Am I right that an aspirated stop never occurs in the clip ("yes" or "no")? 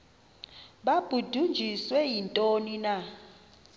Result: yes